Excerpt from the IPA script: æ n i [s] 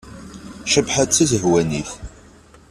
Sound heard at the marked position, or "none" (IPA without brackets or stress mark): θ